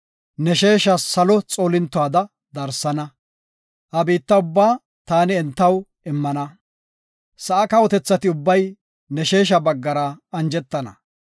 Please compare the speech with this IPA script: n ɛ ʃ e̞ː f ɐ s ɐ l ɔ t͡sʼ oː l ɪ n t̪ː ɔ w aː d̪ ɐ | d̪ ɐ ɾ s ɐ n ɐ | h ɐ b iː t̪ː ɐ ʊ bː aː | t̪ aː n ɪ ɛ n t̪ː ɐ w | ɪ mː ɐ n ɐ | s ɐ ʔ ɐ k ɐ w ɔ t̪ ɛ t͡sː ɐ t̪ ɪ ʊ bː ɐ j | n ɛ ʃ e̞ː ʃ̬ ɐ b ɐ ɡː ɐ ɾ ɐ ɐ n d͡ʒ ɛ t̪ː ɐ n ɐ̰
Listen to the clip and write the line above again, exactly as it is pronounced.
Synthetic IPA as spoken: n ɛ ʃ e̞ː ʃ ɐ s ɐ l ɔ t͡sʼ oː l ɪ n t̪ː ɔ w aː d̪ ɐ | d̪ ɐ ɾ s ɐ n ɐ | h ɐ b iː t̪ː ɐ ʊ bː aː | t̪ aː n ɪ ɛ n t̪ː ɐ w | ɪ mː ɐ n ɐ | s ɐ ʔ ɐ k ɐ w ɔ t̪ ɛ t͡sː ɐ t̪ ɪ ʊ bː ɐ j | n ɛ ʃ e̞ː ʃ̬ ɐ b ɐ ɡː ɐ ɾ ɐ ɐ n d͡ʒ ɛ t̪ː ɐ n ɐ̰